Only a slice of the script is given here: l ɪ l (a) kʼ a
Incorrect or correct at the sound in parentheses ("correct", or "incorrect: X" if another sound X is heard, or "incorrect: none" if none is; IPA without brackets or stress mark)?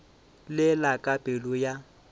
correct